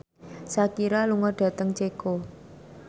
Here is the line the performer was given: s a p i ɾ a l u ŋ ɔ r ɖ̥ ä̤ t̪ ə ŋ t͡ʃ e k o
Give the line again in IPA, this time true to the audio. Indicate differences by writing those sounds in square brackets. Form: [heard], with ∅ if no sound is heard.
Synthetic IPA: s a [k] i ɾ a l u ŋ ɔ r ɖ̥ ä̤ t̪ ə ŋ t͡ʃ e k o